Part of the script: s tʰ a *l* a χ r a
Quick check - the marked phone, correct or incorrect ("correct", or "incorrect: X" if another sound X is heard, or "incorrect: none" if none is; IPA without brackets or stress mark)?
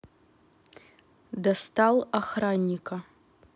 correct